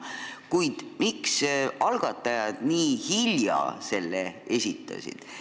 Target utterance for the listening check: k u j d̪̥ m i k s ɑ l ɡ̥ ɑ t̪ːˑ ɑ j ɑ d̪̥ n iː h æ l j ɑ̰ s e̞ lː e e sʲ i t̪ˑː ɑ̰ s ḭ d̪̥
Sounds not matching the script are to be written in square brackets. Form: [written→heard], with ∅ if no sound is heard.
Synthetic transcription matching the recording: k u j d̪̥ m i k s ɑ l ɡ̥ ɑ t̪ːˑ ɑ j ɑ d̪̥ n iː h [æ→i] l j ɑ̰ s e̞ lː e e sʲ i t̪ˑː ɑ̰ s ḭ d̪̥

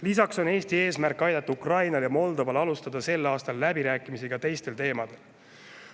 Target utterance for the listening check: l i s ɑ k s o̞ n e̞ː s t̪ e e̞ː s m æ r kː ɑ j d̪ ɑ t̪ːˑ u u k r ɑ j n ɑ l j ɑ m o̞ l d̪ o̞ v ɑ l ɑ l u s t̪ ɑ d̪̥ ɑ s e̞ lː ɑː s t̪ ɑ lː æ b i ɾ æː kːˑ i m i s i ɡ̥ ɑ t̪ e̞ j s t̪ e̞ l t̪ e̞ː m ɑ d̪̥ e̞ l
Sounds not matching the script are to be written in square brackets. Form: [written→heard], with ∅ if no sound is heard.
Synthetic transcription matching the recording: l i s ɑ k s o̞ n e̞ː s t̪ [e→i] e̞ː s m æ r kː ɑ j d̪ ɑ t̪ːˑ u u k r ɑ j n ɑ l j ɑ m o̞ l d̪ o̞ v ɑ l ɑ l u s t̪ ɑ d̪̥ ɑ s e̞ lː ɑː s t̪ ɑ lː æ b i ɾ æː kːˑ i m i s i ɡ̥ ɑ t̪ e̞ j s t̪ e̞ l t̪ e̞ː m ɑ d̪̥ e̞ l

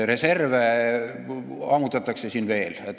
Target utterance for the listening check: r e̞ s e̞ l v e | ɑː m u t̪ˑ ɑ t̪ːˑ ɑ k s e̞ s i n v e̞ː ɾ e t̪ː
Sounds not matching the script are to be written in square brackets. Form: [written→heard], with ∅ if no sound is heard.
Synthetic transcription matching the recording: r e̞ s e̞ [l→r] v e | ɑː m u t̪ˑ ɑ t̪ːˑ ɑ k s e̞ s i n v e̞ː [ɾ→l] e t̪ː

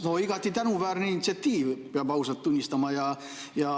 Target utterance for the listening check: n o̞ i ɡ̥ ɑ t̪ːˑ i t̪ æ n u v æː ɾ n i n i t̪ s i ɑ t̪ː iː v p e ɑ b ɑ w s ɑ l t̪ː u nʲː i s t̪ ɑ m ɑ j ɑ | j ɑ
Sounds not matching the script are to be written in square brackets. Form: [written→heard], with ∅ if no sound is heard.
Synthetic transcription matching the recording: n o̞ i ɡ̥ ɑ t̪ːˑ i t̪ æ n u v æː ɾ n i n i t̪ s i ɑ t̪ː iː v p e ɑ b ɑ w s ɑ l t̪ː u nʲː i s t̪ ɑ m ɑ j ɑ | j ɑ

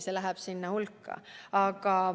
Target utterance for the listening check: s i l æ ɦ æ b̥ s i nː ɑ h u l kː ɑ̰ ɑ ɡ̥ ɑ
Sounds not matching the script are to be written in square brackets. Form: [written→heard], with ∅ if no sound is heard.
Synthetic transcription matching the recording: s [i→e] l æ ɦ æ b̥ s i nː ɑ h u l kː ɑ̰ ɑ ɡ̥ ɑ

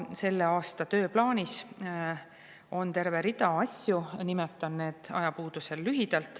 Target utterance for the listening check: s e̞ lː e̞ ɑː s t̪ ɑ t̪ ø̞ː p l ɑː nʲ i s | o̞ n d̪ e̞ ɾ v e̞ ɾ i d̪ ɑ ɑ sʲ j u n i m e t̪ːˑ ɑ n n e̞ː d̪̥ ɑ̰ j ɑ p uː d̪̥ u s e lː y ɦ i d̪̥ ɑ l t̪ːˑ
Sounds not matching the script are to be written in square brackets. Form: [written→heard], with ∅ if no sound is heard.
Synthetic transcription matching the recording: s e̞ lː e̞ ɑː s t̪ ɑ t̪ ø̞ː p l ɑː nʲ i s | o̞ n [d̪→t̪] e̞ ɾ v e̞ ɾ i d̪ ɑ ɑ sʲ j u n i m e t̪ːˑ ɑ n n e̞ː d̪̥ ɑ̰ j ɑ p uː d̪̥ u s e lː y ɦ i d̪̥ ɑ l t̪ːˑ

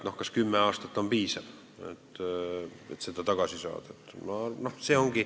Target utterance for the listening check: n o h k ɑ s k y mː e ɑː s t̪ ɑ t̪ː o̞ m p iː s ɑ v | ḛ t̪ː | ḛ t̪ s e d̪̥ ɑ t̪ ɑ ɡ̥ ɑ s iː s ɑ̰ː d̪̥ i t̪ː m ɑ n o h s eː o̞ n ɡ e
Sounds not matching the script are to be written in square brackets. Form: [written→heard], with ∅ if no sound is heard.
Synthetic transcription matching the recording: n o h k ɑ s k y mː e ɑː s t̪ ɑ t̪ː o̞ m p iː s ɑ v | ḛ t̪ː | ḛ t̪ s e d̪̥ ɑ t̪ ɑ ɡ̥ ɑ s [iː→i] s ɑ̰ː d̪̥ [i→e] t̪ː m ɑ n o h s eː o̞ [n→ŋ] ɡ [e→i]

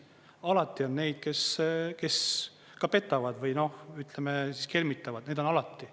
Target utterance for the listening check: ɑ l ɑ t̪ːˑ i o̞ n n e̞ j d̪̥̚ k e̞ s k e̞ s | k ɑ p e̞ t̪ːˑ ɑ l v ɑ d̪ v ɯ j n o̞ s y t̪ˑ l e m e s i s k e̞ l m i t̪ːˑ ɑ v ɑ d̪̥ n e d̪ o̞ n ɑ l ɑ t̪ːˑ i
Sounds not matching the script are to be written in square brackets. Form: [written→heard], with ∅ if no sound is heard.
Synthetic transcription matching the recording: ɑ l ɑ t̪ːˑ i o̞ n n e̞ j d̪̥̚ k e̞ s k e̞ s | k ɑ p e̞ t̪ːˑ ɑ [l→∅] v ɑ d̪ v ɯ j n o̞ [s→h] y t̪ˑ l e m e s i s k e̞ l m i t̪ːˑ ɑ v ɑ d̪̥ n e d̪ o̞ n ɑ l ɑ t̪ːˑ i

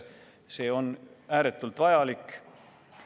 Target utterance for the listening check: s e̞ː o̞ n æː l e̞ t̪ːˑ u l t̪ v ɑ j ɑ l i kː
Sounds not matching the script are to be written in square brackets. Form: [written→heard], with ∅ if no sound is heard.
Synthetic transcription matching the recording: s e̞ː o̞ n æː [l→ɾ] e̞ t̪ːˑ u l t̪ v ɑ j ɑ l i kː

